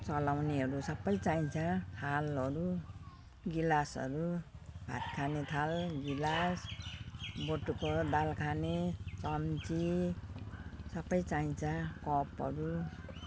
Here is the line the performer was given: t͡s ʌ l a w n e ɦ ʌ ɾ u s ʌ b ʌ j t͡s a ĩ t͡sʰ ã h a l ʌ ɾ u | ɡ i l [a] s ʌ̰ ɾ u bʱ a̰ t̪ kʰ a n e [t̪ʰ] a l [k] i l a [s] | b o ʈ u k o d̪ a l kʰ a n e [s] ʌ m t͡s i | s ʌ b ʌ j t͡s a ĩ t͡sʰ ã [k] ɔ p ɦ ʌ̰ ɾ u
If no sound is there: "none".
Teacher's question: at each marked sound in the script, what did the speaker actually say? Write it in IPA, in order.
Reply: a, t̪ʰ, ɡ, s, t͡s, k

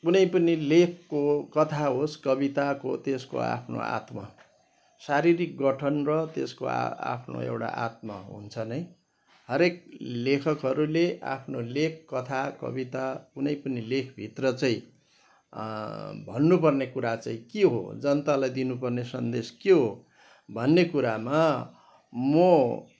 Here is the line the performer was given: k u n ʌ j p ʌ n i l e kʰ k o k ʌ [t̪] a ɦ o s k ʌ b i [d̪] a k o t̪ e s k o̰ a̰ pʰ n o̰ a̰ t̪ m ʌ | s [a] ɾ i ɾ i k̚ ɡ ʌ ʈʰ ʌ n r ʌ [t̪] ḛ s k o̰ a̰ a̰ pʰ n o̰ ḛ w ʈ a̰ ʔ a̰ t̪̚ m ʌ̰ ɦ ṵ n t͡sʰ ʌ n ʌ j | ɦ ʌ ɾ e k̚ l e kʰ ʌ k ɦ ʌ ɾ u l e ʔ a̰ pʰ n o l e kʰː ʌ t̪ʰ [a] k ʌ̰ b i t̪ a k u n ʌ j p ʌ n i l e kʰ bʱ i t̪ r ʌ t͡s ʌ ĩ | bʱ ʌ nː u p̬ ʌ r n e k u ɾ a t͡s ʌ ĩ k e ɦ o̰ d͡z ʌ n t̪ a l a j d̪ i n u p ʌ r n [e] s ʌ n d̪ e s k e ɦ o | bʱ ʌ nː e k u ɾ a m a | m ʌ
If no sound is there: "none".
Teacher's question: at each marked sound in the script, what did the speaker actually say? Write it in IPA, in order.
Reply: t̪ʰ, t̪, a, t̪, a, e

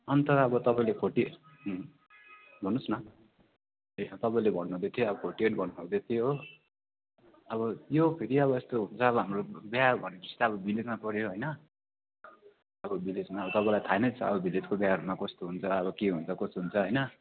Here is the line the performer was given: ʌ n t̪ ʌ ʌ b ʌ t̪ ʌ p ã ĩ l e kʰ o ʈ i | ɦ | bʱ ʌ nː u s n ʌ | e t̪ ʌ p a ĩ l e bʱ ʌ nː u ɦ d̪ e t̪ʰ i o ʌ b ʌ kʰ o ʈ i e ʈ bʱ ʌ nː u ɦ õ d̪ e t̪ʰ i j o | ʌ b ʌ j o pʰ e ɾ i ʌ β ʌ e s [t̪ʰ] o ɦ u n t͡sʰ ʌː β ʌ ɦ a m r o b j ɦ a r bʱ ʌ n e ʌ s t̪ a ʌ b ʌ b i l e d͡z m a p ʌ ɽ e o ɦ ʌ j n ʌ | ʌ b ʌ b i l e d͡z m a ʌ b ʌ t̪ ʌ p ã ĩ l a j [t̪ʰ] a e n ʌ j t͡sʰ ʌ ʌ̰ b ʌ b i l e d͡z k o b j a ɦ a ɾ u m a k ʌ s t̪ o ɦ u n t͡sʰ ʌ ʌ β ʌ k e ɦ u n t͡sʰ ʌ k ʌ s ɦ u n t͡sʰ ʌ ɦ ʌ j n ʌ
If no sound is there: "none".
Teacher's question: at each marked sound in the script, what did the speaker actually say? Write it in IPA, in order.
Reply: t̪, t̪ʰ

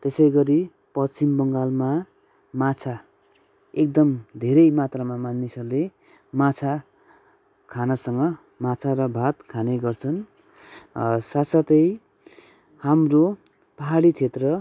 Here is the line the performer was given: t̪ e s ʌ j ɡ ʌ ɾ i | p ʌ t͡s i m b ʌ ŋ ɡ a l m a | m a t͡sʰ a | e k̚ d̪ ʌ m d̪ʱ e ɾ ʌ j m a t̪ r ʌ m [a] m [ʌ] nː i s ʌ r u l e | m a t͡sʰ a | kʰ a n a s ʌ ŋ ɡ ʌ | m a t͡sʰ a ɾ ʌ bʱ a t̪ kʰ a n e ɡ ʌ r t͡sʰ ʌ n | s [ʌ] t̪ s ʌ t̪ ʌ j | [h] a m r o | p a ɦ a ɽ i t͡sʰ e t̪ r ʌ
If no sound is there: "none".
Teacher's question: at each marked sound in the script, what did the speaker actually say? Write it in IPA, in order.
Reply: a, a, a, h

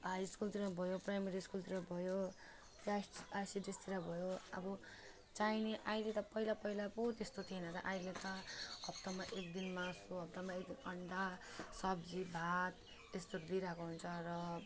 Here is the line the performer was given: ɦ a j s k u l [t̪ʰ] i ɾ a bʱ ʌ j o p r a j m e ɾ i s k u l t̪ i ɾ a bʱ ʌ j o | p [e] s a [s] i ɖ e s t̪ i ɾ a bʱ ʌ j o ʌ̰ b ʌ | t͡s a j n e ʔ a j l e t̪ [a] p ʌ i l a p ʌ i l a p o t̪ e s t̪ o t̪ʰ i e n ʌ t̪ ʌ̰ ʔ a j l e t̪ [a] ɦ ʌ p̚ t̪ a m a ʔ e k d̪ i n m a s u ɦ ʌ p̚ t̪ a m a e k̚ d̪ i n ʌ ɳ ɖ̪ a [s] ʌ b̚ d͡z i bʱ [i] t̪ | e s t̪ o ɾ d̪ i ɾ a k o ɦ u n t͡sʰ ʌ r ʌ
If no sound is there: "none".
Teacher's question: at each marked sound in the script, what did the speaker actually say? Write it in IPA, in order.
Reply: t̪, a, s, ʌ, ʌ, s, a

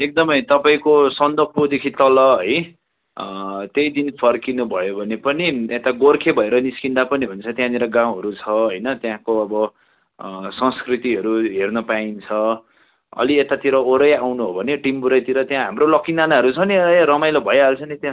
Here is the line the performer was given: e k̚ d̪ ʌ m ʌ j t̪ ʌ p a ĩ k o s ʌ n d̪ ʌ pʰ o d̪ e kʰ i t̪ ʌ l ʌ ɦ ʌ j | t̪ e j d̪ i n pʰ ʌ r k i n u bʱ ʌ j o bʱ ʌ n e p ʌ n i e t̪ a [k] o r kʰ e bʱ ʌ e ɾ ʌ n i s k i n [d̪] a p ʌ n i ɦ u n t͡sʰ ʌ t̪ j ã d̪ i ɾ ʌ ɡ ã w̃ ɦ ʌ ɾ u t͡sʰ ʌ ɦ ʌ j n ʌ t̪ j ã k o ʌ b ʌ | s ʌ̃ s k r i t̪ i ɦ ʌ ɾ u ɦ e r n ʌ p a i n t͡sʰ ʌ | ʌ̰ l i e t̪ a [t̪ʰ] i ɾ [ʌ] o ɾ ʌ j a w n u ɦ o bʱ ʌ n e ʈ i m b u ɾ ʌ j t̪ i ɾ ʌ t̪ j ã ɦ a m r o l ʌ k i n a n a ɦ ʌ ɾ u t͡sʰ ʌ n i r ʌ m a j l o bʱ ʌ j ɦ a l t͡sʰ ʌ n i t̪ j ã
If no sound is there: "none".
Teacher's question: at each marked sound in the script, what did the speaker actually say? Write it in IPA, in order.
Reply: ɡ, d̪, t̪, ʌ

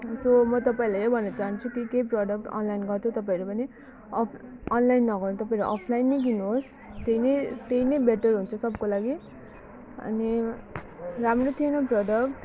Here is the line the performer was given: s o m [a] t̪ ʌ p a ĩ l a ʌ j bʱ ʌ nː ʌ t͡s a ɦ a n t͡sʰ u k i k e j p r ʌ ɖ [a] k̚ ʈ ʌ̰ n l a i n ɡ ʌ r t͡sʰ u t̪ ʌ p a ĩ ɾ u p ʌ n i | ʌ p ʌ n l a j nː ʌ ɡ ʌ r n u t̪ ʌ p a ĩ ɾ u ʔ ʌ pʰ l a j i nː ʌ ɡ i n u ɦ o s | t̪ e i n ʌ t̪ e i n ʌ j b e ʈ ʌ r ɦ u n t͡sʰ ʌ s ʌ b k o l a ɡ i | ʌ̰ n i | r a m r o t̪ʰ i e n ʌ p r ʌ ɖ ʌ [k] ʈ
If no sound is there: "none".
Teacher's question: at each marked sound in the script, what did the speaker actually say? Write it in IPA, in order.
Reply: ʌ, ʌ, k

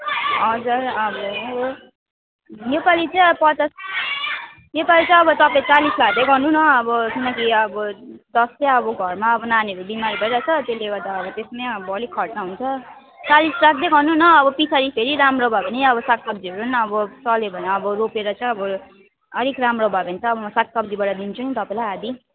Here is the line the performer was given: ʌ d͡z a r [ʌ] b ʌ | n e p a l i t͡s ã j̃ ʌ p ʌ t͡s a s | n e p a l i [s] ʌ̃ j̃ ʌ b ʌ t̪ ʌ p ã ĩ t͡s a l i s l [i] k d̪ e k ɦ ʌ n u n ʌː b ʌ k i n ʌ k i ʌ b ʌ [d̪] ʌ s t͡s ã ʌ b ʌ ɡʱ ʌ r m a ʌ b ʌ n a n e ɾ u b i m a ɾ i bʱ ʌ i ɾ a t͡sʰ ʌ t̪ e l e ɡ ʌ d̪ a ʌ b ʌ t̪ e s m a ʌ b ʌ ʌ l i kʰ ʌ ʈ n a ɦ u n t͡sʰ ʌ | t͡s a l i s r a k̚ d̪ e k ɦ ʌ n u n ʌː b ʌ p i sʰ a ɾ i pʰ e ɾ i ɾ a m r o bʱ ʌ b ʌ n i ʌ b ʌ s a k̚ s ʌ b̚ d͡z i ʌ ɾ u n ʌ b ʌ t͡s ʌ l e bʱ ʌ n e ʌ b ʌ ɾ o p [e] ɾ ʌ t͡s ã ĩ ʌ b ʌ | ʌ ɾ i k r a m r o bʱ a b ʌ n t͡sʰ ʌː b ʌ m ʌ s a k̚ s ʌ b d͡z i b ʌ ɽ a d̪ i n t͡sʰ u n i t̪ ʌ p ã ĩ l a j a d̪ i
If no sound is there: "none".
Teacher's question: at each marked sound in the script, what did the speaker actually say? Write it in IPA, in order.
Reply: ʌ, t͡s, a, d̪, e

